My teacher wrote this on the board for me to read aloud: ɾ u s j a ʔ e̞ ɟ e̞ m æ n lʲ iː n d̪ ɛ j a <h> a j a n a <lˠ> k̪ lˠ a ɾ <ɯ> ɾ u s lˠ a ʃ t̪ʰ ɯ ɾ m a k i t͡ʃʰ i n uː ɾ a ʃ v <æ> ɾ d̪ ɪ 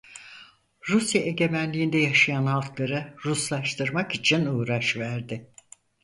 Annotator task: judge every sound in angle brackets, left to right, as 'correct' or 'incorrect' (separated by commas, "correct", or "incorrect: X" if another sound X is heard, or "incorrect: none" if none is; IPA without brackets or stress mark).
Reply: incorrect: ʃ, correct, correct, correct